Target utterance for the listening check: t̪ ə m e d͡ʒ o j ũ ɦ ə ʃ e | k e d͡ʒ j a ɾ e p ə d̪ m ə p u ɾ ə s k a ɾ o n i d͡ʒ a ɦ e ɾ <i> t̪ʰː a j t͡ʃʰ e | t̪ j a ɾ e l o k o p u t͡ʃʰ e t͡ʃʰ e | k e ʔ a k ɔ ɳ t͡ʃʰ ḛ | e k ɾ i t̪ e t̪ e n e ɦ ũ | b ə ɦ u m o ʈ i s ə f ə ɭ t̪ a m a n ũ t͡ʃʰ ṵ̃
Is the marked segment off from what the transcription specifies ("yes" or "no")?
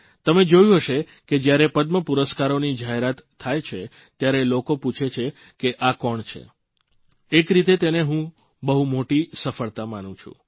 yes